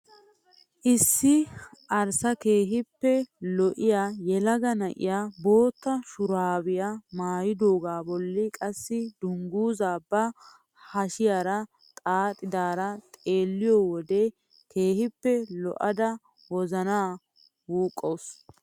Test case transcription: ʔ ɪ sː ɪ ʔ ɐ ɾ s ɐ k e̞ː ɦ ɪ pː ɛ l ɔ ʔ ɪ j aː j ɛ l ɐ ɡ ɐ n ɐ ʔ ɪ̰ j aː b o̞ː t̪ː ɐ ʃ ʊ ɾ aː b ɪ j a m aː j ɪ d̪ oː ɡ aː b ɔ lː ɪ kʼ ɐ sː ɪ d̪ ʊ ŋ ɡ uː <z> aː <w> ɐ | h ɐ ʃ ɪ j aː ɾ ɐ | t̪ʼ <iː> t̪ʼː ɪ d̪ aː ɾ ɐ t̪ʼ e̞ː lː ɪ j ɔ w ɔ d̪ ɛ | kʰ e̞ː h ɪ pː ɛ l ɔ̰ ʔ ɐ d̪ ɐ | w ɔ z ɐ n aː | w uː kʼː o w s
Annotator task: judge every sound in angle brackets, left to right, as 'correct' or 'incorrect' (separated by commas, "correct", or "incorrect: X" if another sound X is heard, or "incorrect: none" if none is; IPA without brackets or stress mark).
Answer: correct, incorrect: b, incorrect: aː